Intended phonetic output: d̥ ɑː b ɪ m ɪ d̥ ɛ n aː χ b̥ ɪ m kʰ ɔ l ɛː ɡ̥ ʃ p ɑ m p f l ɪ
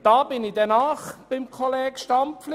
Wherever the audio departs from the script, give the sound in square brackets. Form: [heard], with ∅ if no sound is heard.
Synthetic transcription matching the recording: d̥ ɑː b ɪ [n] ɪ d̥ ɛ n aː χ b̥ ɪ m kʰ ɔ l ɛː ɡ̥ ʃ [t] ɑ m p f l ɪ